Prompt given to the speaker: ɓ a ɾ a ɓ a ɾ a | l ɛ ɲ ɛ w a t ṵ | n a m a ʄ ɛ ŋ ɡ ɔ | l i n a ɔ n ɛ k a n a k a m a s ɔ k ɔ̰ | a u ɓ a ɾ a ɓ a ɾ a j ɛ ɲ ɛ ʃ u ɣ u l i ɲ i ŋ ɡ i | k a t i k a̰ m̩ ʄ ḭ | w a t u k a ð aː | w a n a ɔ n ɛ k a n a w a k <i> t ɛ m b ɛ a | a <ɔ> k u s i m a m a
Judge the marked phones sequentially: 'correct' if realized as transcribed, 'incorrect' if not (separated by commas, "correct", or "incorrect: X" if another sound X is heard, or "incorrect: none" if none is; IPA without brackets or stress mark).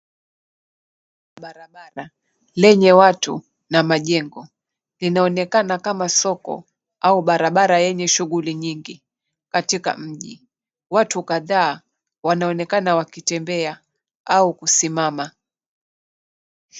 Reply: correct, incorrect: u